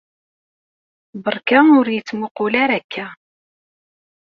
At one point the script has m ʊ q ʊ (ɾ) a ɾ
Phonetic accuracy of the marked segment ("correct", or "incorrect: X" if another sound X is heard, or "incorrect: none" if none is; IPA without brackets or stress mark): incorrect: l